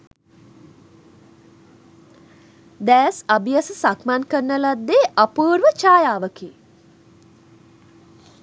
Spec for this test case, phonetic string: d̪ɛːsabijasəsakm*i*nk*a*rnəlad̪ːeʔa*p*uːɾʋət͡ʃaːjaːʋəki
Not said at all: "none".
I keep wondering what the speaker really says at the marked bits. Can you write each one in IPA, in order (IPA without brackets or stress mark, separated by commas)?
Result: a, ə, p